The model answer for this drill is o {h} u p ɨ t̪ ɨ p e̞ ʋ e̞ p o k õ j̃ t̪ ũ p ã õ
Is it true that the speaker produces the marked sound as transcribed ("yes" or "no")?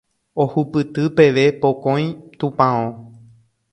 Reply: yes